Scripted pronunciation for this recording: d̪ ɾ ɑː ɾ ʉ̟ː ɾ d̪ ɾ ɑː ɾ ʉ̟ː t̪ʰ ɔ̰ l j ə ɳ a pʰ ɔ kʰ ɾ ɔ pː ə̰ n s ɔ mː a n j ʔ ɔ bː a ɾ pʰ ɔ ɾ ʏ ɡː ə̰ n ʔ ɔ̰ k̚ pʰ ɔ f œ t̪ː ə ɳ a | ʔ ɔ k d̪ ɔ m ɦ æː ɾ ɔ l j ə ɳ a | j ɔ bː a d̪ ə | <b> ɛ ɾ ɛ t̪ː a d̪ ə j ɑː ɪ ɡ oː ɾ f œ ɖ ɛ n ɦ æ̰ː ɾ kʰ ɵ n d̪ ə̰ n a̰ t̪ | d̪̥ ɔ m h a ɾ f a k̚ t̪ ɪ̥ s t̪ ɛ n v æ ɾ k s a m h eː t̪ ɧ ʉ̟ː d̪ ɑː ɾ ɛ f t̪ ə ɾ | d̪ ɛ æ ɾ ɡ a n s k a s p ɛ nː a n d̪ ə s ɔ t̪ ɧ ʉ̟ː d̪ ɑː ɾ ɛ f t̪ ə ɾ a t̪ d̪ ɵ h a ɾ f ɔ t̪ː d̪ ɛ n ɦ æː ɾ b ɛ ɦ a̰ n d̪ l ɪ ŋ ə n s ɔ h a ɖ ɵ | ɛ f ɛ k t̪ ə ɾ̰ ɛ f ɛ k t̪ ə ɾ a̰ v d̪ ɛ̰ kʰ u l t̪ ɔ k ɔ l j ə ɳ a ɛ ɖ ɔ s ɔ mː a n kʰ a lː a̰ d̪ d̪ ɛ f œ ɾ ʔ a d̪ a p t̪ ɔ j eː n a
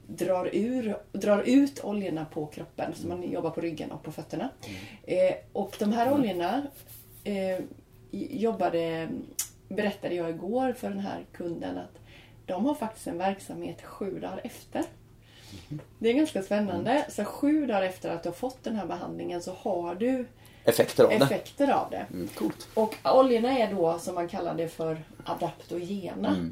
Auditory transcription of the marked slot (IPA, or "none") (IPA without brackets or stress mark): b